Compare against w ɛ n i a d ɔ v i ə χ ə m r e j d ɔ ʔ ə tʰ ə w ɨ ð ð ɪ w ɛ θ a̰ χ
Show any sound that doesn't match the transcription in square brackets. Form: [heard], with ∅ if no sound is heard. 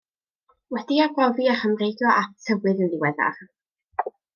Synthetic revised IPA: w ɛ [d] i a [ɡ] ɔ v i [a] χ ə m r e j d ɔ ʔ [a] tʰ ə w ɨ ð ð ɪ w ɛ [ð] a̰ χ